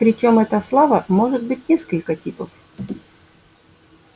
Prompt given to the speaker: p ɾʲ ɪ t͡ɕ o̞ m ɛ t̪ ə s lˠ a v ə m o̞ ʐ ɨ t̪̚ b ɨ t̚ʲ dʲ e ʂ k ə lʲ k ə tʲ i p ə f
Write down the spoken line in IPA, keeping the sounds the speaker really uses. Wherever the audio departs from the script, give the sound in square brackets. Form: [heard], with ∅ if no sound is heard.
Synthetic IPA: p ɾʲ ɪ t͡ɕ o̞ m ɛ t̪ ə s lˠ a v ə m o̞ ʐ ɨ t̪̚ b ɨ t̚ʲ [nʲ] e [s] k ə lʲ k ə tʲ i p ə f